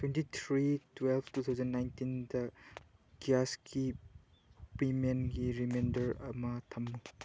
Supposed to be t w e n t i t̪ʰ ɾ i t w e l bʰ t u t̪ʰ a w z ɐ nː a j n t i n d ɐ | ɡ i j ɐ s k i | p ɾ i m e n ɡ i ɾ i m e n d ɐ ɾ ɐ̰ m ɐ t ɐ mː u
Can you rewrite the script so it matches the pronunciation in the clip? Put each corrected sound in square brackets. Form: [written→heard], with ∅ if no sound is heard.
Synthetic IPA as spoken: t w e n t i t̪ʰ ɾ i t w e l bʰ t u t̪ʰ a w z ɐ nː a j n t i n d ɐ | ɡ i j [ɐ→a] s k i | p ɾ i m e n ɡ i ɾ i m e n d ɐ ɾ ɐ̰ m ɐ [t→tʰ] ɐ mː u

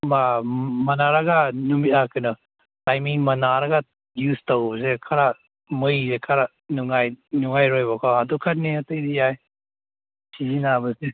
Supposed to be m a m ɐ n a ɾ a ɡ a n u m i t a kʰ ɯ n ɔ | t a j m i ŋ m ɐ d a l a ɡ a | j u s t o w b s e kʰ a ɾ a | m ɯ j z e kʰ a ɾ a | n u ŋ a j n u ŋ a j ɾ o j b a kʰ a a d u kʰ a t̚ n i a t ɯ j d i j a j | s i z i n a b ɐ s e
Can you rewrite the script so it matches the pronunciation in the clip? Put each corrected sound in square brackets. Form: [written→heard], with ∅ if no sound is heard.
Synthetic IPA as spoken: m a m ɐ n a ɾ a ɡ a n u m i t a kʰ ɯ n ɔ | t a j m i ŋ m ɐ [d→n] a [l→ɾ] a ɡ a | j u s t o w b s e kʰ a ɾ a | m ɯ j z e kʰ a ɾ a | n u ŋ a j n u ŋ a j ɾ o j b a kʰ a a d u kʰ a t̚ n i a t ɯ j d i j a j | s i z i n a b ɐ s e

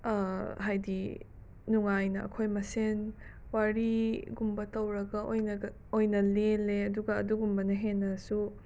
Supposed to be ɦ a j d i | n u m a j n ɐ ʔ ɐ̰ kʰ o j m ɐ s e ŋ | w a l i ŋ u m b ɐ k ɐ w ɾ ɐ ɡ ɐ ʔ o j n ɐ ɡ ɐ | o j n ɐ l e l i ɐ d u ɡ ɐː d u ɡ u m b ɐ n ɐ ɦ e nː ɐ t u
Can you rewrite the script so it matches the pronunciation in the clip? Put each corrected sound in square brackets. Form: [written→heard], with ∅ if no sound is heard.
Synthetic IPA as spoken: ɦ a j d i | n u [m→ŋ] a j n ɐ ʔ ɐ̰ kʰ o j m ɐ s e [ŋ→n] | w a [l→ɾ] i [ŋ→ɡ] u m b ɐ [k→t] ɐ w ɾ ɐ ɡ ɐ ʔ o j n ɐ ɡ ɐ | o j n ɐ l e l [i→e] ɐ d u ɡ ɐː d u ɡ u m b ɐ n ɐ ɦ e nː ɐ [t→s] u

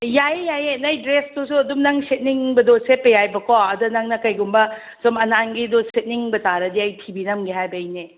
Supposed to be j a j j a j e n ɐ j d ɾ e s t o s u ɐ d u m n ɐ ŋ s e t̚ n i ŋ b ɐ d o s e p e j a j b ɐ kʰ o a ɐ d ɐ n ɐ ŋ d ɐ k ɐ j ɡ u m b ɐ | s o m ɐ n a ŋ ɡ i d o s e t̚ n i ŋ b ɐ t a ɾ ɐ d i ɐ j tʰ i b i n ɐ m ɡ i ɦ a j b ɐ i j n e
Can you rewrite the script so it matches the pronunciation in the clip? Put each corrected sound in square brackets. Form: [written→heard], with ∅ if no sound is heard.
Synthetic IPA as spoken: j a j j a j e n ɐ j d ɾ e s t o s u ɐ d u m n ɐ ŋ s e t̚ n i ŋ b ɐ d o s e p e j a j b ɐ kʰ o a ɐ d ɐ n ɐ ŋ [d→n] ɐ k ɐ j ɡ u m b ɐ | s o m ɐ n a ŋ ɡ i d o s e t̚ n i ŋ b ɐ t a ɾ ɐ d i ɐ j tʰ i b i n ɐ m ɡ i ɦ a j b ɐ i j n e

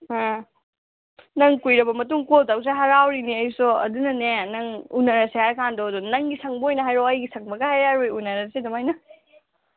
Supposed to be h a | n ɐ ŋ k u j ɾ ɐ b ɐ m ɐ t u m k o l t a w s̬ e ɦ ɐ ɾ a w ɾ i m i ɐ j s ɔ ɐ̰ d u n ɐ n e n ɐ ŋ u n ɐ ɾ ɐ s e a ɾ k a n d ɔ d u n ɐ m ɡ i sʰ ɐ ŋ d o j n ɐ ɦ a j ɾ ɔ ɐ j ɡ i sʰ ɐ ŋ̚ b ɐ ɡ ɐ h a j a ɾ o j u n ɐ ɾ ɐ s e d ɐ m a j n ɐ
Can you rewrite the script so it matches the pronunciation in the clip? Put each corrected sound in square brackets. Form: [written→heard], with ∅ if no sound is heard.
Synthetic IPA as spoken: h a | n ɐ ŋ k u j ɾ ɐ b ɐ m ɐ t u [m→ŋ] k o l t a w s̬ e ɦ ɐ ɾ a w ɾ i [m→n] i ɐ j s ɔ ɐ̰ d u n ɐ n e n ɐ ŋ u n ɐ ɾ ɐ s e a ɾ k a n d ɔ d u n ɐ [m→ŋ] ɡ i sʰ ɐ ŋ [d→b] o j n ɐ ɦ a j ɾ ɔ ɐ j ɡ i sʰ ɐ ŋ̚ b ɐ ɡ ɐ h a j a ɾ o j u n ɐ ɾ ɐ s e d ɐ m a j n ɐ

